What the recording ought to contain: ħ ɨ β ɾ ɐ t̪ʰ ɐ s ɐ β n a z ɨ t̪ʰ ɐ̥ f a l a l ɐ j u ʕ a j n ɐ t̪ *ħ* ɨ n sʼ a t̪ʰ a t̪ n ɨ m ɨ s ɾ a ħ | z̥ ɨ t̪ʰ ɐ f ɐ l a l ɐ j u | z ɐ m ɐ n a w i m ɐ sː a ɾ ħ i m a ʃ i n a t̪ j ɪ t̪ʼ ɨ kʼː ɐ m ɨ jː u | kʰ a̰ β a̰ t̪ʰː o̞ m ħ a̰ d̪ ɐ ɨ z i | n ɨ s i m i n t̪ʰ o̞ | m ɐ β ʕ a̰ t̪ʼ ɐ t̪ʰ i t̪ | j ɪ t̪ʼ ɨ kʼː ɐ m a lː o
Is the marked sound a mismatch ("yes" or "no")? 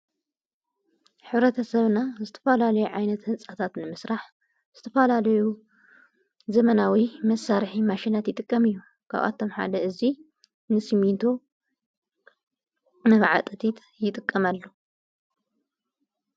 yes